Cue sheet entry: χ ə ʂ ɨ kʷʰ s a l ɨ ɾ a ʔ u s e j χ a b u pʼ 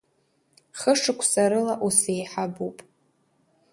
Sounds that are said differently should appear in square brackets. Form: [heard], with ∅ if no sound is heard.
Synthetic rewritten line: χ ə ʂ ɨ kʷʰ s a [ɾ] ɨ [l] a ʔ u s e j [ħ] a b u pʼ